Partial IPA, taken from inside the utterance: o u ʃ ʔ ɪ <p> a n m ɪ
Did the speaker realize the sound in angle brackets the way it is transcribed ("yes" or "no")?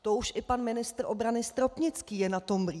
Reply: yes